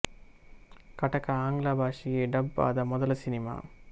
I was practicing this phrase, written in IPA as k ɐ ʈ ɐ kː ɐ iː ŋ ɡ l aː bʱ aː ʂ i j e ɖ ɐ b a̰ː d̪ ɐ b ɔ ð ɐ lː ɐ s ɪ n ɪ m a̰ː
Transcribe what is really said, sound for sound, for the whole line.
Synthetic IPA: k ɐ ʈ ɐ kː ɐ aː ŋ ɡ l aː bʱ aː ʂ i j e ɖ ɐ b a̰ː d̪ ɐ m ɔ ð ɐ l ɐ s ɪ n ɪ m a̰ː